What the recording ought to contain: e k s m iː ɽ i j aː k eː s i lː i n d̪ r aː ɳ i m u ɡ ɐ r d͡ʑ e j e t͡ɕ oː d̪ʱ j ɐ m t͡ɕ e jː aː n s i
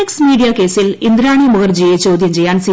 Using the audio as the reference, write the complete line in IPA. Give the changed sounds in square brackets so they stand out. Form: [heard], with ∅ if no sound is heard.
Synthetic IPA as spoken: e k s m iː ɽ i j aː k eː s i [l] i n d̪ [ɾ] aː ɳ i m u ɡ ɐ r d͡ʑ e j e t͡ɕ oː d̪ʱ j ɐ m t͡ɕ e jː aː n s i